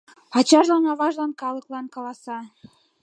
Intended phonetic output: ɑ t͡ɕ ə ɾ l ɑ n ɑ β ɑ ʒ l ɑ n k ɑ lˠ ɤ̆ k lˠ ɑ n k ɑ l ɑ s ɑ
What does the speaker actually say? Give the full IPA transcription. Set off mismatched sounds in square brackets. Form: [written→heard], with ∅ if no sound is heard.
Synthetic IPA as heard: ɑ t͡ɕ [ə→ɑ] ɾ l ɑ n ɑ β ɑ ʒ l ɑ n k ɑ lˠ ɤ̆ k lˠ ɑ n k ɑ l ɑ s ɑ